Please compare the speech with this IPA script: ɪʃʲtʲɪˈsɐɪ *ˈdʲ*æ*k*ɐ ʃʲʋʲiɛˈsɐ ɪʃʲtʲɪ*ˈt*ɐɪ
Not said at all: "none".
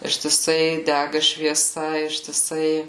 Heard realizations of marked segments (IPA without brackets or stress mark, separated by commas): dʲ, ɡ, s